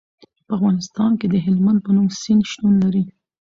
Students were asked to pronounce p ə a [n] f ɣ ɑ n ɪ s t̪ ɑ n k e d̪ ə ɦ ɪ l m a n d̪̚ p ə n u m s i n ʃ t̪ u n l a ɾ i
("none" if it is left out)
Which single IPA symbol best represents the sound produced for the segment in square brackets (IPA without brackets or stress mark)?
none